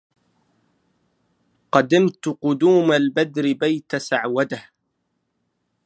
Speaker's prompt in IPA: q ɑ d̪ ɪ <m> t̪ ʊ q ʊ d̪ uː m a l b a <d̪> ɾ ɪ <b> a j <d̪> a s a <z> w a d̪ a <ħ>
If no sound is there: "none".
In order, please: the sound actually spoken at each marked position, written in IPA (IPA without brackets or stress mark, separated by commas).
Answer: m, d̪, b, t̪, ʕ, h